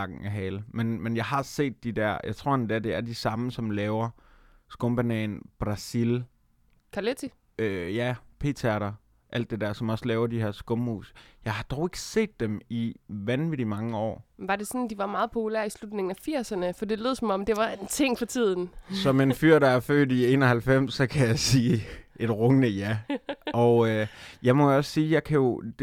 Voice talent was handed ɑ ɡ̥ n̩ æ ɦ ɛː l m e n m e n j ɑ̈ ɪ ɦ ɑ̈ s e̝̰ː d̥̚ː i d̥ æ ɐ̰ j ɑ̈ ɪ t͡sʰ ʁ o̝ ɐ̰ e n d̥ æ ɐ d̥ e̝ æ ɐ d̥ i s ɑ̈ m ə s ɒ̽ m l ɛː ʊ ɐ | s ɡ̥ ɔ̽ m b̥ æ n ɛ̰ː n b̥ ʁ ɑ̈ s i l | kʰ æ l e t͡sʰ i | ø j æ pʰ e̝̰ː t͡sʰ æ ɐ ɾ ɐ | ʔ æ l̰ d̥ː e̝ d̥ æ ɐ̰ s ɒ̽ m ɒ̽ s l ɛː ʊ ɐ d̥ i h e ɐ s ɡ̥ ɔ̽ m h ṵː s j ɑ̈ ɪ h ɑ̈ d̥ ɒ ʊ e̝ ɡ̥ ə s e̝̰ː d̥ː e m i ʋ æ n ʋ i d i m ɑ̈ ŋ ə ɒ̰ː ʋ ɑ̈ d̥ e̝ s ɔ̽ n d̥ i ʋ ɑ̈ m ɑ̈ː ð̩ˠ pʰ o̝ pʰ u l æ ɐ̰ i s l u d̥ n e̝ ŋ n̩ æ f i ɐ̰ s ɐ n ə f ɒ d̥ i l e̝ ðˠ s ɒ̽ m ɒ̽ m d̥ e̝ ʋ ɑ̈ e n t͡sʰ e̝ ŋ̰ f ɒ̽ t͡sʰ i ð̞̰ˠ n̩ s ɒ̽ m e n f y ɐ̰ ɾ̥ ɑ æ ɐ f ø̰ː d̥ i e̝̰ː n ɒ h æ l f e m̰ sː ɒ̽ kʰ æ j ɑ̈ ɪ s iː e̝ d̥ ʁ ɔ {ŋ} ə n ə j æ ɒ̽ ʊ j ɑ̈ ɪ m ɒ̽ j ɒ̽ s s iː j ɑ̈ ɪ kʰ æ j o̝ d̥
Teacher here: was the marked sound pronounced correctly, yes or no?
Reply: yes